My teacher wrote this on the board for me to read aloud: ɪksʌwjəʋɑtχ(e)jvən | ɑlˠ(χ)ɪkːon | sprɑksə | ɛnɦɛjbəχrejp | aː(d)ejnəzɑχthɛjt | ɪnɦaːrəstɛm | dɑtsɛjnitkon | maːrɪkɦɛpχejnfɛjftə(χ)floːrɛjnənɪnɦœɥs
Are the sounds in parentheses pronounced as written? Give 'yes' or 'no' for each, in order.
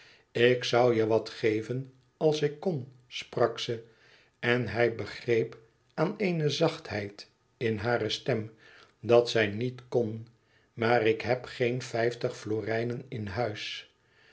yes, no, no, yes

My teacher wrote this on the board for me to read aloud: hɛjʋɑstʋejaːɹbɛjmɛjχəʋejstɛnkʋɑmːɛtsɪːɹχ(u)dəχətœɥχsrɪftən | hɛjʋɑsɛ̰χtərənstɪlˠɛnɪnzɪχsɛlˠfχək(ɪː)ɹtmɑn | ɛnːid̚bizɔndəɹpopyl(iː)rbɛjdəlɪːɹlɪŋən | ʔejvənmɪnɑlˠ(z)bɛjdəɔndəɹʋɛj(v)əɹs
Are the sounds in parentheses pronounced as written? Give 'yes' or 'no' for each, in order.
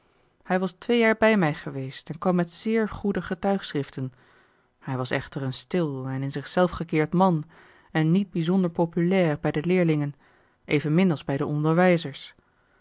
yes, yes, no, yes, no

